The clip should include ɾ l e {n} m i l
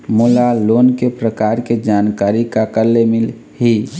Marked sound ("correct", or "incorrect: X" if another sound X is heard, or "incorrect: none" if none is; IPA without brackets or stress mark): incorrect: none